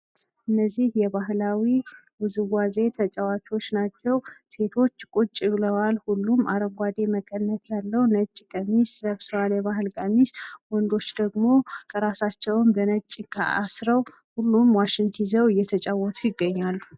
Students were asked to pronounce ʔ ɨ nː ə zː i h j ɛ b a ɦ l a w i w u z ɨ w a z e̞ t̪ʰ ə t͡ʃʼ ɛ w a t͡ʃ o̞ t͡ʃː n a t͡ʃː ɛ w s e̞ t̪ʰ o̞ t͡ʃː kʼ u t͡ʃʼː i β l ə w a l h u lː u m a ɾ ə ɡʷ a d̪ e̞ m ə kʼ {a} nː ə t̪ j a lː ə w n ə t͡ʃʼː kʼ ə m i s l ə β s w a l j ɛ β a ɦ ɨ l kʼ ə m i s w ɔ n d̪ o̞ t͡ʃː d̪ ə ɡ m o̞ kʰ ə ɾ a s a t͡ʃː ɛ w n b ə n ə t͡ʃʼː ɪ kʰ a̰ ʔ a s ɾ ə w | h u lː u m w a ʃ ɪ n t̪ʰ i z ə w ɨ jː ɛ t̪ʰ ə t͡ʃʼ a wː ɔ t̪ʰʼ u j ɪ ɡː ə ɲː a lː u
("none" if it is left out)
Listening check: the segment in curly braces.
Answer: ə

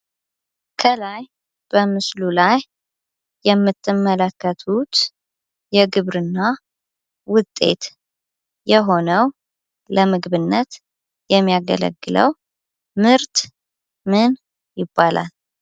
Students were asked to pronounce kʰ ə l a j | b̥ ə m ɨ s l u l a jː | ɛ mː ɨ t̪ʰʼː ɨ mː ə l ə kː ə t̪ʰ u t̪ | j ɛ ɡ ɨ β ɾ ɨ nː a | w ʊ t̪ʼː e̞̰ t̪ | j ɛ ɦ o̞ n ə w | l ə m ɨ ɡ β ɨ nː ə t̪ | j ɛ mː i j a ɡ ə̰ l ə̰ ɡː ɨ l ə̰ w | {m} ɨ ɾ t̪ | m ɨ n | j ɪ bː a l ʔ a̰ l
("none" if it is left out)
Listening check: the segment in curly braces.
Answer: m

